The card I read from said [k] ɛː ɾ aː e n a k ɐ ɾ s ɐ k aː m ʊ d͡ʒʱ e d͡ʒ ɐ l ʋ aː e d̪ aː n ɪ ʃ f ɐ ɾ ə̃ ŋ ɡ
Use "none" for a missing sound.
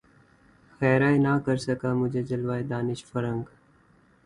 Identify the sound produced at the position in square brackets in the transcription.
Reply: x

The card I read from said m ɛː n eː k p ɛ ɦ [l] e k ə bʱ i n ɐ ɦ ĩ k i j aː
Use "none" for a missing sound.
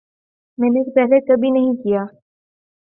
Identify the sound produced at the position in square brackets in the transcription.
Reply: l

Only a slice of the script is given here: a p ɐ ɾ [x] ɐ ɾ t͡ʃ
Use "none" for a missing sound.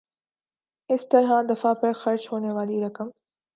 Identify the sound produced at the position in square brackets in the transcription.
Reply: x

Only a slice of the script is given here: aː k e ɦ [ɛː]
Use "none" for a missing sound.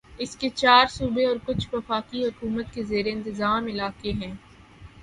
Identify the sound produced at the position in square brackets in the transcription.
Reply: ɛ̃ː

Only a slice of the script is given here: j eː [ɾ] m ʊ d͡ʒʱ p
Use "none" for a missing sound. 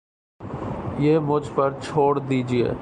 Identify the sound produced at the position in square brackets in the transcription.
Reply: none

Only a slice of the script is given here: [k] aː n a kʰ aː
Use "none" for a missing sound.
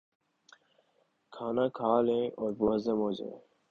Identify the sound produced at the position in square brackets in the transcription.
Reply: kʰ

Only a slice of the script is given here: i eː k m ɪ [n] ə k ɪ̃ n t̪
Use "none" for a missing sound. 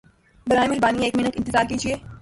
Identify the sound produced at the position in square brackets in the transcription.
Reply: n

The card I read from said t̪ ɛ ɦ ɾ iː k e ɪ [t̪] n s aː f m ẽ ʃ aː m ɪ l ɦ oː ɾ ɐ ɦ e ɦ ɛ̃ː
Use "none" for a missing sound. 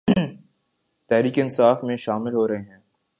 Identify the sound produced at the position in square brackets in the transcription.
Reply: none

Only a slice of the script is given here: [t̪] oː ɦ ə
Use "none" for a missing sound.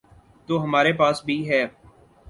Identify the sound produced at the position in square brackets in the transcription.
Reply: t̪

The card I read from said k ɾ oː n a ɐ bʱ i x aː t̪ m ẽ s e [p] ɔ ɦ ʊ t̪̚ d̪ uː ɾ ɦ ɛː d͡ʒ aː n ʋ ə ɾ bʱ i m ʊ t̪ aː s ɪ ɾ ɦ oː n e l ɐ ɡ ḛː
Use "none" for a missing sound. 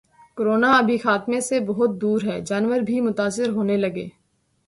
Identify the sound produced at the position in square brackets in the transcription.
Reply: b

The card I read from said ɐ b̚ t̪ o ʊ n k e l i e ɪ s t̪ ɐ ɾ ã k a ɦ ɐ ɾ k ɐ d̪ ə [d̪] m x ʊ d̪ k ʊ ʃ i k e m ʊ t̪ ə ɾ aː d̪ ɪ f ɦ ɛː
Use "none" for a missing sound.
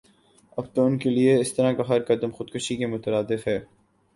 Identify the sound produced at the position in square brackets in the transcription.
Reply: none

